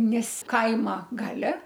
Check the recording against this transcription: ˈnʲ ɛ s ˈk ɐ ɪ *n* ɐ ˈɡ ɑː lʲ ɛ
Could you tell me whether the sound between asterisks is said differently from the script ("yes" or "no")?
yes